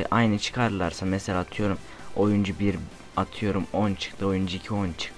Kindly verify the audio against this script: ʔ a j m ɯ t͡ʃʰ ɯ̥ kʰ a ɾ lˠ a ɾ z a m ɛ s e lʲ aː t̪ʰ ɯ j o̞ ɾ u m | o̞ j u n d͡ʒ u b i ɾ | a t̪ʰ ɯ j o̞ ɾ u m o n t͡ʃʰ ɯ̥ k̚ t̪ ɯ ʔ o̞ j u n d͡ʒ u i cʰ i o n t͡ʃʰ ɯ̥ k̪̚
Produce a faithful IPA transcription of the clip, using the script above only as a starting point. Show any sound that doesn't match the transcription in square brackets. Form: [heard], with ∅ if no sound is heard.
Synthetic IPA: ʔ a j [n] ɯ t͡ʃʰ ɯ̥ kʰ a ɾ lˠ a ɾ [s] a m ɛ s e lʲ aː t̪ʰ ɯ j o̞ ɾ u m | o̞ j u n d͡ʒ u b i ɾ | a t̪ʰ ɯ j o̞ ɾ u m o n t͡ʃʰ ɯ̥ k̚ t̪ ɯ [∅] o̞ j u n d͡ʒ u i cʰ i o n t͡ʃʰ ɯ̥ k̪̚